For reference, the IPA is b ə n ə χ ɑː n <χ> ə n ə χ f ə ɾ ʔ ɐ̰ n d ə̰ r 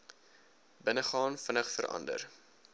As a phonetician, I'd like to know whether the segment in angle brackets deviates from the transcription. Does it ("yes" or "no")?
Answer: yes